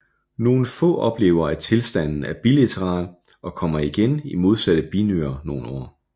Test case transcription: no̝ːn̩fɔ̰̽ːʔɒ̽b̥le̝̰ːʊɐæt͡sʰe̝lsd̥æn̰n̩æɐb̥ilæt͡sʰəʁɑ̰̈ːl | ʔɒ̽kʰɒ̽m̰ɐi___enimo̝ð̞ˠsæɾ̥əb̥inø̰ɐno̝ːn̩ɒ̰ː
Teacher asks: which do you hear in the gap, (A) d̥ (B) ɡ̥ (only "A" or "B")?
B